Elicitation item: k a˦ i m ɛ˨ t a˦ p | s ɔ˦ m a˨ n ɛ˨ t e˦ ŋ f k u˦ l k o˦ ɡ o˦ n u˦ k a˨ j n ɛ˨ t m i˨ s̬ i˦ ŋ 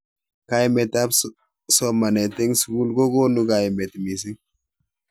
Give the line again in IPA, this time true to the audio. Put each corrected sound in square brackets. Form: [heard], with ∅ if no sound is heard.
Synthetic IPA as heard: k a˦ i m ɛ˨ t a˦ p | s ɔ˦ m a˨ n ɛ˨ t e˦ ŋ [s] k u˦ l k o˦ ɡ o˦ n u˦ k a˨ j [m] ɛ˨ t m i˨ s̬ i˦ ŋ